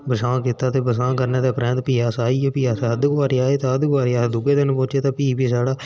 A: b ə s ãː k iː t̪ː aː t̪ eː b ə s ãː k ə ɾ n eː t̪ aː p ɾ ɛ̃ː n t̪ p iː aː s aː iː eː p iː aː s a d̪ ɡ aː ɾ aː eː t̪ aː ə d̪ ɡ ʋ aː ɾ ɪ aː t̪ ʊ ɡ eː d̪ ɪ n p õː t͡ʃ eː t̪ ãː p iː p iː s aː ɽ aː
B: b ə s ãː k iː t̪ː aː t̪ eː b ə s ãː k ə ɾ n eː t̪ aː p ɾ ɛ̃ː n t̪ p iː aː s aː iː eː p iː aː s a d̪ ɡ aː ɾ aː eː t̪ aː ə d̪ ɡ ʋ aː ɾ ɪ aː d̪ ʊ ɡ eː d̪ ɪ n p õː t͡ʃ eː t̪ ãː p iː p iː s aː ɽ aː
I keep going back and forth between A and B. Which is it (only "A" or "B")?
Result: B